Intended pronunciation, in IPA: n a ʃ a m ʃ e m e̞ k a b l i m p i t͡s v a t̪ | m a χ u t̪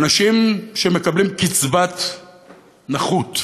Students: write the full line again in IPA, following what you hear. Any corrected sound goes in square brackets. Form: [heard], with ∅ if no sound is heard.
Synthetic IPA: n a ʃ [i] m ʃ e m e̞ k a b l i m [k] i t͡s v a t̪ | [n] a χ u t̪